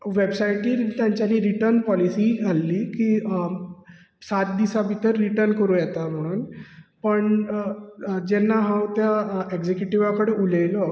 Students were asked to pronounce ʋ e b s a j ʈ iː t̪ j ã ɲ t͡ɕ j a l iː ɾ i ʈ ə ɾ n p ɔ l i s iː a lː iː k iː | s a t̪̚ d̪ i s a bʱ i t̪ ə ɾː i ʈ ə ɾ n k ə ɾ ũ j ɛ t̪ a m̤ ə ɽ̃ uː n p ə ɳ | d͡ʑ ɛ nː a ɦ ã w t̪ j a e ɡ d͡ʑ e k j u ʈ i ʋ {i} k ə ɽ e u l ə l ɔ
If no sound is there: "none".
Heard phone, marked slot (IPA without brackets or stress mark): a